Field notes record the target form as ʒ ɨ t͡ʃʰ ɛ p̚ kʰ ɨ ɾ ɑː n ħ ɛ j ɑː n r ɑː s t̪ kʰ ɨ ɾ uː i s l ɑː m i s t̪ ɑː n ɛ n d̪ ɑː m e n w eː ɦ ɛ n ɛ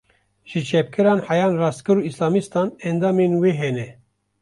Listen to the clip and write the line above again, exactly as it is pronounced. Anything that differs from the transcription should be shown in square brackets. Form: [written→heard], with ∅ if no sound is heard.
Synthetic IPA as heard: ʒ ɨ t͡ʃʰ ɛ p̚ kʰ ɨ ɾ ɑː n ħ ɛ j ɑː n r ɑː s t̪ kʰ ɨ ɾ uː i s l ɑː m i s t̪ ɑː n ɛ n d̪ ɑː m e n w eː ɦ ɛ n ɛ